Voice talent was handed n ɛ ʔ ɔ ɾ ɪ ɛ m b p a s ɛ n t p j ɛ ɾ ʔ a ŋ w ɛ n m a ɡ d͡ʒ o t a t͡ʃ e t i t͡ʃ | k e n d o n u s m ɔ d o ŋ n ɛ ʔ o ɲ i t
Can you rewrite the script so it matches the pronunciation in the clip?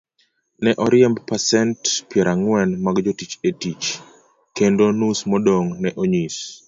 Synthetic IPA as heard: n ɛ ʔ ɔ ɾ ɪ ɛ m b p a s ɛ n t p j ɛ ɾ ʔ a ŋ w ɛ n m a ɡ d͡ʒ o t i t͡ʃ e t i t͡ʃ | k e n d o n u s m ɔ d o ŋ n ɛ ʔ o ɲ i s